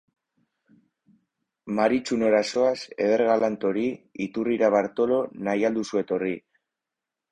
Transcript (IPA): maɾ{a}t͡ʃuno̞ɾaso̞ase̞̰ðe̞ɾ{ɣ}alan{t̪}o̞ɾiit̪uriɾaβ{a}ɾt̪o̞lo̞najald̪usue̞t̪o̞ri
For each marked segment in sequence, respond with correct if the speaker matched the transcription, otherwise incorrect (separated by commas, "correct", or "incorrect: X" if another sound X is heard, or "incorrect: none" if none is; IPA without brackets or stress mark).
incorrect: i, correct, correct, correct